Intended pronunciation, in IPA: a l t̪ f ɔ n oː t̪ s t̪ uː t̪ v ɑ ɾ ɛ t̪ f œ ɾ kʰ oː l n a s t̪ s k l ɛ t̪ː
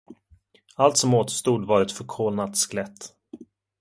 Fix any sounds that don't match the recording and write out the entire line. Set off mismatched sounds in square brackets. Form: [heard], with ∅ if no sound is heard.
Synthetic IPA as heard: a l t̪ [s] ɔ [m] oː t̪ s t̪ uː [d̪] v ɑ ɾ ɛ t̪ f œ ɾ kʰ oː l n a [∅] t̪ s k l ɛ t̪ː